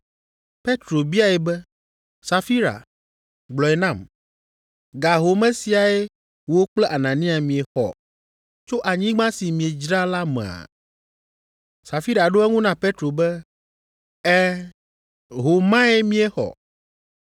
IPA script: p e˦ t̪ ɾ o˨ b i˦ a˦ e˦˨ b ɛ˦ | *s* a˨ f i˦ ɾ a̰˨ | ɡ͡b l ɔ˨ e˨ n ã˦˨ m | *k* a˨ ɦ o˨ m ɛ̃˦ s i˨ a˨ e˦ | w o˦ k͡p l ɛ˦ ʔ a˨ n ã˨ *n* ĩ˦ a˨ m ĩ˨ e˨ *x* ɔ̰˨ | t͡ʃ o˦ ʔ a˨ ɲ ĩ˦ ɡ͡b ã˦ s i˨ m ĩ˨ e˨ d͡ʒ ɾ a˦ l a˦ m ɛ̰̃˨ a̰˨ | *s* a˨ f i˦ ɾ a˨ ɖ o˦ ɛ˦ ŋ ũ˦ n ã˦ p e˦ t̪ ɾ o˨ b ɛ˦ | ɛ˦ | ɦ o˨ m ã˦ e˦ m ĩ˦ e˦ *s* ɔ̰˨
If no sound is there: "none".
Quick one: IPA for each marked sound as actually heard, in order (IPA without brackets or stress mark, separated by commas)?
s, ɡ, n, x, s, x